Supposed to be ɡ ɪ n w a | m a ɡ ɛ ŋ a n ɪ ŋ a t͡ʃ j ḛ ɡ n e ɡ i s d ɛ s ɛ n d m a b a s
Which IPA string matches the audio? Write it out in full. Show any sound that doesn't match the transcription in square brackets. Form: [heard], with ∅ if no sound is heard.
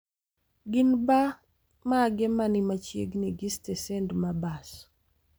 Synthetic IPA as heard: ɡ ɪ n [b] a | m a ɡ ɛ [m] a n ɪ [m] a t͡ʃ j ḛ ɡ n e ɡ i s [t] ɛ s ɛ n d m a b a s